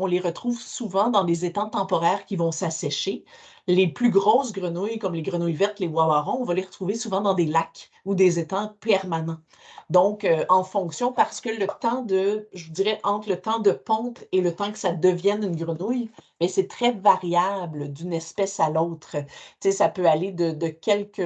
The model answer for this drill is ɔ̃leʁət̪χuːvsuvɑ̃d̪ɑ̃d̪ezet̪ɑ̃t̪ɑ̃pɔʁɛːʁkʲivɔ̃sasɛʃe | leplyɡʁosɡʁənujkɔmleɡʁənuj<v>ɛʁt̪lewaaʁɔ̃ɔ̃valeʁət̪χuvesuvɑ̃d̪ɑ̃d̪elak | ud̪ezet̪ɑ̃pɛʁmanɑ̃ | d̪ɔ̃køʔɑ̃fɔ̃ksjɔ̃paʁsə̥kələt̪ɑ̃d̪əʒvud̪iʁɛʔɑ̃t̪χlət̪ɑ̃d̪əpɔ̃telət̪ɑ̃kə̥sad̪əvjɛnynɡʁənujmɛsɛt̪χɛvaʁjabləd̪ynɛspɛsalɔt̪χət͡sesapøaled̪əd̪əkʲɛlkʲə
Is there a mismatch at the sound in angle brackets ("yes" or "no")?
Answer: no